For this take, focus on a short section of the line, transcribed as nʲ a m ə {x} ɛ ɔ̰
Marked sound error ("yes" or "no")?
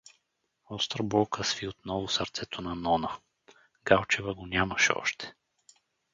yes